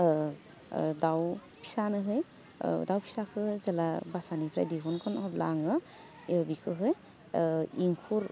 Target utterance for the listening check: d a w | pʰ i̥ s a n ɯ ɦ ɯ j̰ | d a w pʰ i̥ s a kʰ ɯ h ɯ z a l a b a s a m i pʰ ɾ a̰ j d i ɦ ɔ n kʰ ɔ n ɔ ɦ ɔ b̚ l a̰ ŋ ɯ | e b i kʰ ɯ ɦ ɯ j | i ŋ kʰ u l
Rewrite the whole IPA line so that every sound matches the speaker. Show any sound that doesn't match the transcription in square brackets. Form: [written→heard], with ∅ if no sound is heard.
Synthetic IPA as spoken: d a w | pʰ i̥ s a n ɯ ɦ ɯ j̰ | d a w pʰ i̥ s a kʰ ɯ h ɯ z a l a b a s a [m→n] i pʰ ɾ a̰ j d i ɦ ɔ n kʰ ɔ n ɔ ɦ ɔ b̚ l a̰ ŋ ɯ | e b i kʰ ɯ ɦ ɯ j | i ŋ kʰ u [l→ɾ]